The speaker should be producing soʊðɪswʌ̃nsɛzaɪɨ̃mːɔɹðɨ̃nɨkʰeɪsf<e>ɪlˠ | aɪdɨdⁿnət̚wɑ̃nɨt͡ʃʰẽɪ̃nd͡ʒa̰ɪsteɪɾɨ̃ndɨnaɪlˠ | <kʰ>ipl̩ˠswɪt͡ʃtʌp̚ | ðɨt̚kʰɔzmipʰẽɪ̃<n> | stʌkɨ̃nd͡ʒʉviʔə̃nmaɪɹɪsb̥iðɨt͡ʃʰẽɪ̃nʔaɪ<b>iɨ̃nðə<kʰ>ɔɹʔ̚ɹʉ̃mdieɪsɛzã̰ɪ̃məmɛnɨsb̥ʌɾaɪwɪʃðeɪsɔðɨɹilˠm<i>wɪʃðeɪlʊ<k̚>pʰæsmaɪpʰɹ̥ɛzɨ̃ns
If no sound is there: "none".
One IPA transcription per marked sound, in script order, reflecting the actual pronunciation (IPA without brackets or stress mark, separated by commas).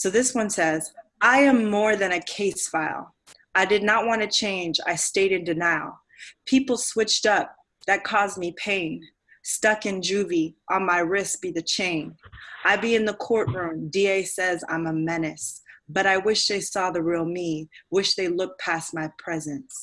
a, pʰ, n, b, kʰ, i, k̚